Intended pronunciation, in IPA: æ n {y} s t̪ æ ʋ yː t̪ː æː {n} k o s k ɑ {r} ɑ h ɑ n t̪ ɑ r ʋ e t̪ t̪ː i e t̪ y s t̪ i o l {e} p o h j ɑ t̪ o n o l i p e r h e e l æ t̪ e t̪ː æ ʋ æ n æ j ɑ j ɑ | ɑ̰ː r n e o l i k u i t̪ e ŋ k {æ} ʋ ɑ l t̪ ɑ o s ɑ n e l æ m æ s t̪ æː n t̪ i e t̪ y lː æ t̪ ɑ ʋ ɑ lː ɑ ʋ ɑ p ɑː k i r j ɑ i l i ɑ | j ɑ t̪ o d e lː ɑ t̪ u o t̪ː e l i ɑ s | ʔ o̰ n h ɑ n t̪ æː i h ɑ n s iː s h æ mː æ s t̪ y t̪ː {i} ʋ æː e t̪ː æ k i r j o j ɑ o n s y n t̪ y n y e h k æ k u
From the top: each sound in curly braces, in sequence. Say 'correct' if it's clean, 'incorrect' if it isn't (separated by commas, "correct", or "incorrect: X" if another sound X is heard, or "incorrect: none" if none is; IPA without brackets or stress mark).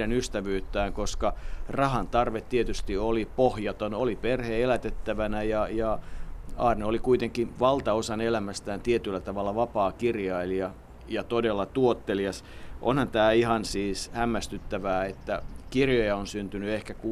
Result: correct, incorrect: ŋ, correct, incorrect: i, incorrect: i, incorrect: æ